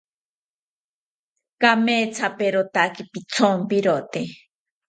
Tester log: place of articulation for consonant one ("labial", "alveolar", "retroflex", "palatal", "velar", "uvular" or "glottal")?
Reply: velar